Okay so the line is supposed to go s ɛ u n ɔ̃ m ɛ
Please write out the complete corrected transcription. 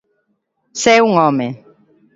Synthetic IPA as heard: s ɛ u ŋ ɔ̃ m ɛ